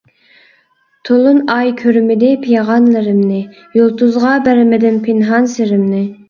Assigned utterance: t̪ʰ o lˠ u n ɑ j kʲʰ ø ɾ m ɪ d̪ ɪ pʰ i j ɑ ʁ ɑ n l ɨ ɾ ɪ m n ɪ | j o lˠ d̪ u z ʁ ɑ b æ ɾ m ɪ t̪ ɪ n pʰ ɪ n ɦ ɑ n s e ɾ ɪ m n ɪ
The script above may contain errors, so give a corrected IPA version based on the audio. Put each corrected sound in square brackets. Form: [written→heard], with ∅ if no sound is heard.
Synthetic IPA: t̪ʰ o lˠ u n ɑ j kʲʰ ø ɾ m ɪ d̪ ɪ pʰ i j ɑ ʁ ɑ n l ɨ ɾ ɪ m n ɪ | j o lˠ [d̪→t̪] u z ʁ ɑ b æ ɾ m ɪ [t̪→d̪] ɪ n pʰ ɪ n ɦ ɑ n s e ɾ ɪ m n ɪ